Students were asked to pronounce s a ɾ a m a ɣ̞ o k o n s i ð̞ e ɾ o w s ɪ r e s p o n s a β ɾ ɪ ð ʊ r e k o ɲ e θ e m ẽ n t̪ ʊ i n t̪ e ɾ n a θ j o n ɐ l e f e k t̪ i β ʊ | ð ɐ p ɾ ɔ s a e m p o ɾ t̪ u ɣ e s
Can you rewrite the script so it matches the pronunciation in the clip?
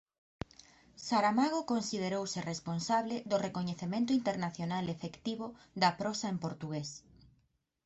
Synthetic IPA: s a ɾ a m a ɣ̞ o k o n s i ð̞ e ɾ o w s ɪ r e s p o n s a β l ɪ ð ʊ r e k o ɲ e θ e m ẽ n t̪ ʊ i n t̪ e ɾ n a θ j o n a l e f e k t̪ i β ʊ | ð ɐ p ɾ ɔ s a e m p o ɾ t̪ u ɣ e s

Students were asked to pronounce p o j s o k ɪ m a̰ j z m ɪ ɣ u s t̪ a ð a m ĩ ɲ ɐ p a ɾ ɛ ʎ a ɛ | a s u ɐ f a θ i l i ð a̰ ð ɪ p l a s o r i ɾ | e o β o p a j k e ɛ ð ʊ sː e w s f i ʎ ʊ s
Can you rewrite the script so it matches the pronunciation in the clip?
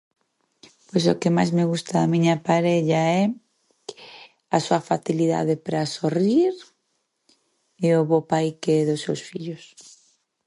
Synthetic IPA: p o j s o k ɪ m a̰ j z m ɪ ɣ u s t̪ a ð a m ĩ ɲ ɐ p a ɾ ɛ ʎ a ɛ | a s u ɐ f a θ i l i ð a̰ ð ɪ p ɾ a s o r i ɾ | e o β o p a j k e ɛ ð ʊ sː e w s f i ʎ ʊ s

